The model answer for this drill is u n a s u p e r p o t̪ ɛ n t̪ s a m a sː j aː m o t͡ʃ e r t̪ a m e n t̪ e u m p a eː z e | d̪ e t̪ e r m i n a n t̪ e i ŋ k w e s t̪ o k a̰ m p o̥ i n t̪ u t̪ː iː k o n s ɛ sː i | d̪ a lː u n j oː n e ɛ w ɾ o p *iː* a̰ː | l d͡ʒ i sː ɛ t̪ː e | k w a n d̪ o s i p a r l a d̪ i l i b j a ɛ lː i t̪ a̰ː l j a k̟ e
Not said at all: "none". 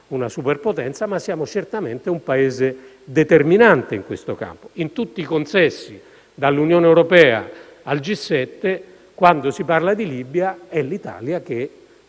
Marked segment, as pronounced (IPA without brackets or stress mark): ɛː